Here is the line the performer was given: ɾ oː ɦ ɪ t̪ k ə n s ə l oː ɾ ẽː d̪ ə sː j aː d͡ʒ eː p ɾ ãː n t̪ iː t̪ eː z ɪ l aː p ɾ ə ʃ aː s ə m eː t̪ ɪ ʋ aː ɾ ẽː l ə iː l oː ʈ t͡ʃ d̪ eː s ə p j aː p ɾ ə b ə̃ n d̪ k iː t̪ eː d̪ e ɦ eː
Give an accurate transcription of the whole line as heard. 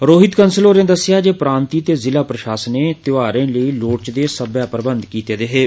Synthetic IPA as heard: ɾ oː ɦ ɪ t̪ k ə n s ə l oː ɾ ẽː d̪ ə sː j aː d͡ʒ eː p ɾ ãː n t̪ iː t̪ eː z ɪ l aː p ɾ ə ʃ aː s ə n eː t̪ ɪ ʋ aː ɾ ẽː l ə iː l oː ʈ t͡ʃ d̪ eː s ə b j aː p ɾ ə b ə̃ n d̪ k iː t̪ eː d̪ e ɦ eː